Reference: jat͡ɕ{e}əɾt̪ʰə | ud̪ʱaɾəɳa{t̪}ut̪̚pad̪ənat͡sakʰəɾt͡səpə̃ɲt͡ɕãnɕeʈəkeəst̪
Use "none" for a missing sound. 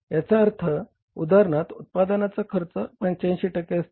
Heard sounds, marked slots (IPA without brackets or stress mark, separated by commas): a, t̪